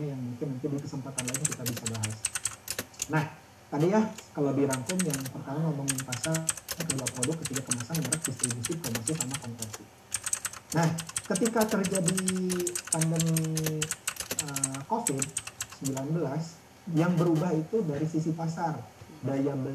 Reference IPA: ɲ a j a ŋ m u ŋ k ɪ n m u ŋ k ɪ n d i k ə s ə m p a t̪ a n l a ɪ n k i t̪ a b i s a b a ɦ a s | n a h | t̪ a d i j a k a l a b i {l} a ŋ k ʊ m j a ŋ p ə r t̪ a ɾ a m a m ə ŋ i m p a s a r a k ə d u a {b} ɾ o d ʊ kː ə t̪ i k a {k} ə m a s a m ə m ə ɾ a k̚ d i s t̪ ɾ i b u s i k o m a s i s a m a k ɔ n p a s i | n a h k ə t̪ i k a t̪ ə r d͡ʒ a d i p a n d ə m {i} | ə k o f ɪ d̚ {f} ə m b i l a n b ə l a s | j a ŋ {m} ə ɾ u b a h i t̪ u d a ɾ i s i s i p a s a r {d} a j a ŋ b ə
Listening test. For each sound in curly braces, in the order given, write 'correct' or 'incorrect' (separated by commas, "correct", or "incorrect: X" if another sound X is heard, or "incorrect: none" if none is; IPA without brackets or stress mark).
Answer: incorrect: ɾ, incorrect: p, correct, correct, incorrect: s, incorrect: b, correct